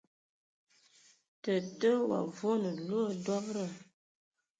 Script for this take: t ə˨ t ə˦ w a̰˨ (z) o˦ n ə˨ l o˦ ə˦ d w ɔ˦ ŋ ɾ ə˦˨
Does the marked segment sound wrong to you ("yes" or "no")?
yes